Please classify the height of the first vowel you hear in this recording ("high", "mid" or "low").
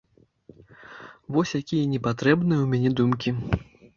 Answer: mid